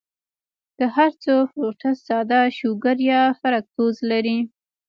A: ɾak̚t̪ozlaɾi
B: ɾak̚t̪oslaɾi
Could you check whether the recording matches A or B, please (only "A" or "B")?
A